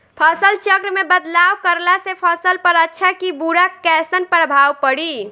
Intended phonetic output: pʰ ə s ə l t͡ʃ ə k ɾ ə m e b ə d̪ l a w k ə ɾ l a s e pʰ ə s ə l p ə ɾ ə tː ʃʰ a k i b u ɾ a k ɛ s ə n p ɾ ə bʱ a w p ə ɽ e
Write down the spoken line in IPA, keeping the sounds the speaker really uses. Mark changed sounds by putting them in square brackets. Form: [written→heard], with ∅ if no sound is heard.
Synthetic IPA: pʰ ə s ə l t͡ʃ ə k ɾ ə m e b ə d̪ l a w k ə ɾ l a s e pʰ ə s ə l p ə ɾ ə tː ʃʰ a k i b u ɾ a k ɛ s ə n p ɾ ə bʱ a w p ə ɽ [e→i]